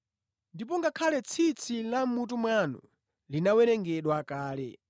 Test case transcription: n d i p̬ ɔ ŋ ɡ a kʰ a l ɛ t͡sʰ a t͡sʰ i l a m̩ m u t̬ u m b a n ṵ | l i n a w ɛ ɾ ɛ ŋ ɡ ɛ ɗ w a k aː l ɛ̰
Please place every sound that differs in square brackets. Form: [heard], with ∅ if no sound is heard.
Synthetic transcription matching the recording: n d i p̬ ɔ ŋ ɡ a kʰ a l ɛ t͡sʰ [i] t͡sʰ i l a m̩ m u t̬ u m [w] a n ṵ | l i n a w ɛ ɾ ɛ ŋ ɡ ɛ ɗ w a k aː l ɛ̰